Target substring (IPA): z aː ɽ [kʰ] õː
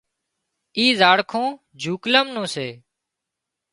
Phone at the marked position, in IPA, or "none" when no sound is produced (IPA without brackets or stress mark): kʰ